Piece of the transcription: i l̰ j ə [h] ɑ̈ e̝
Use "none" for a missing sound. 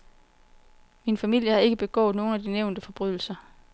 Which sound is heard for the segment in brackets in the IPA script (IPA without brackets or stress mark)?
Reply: h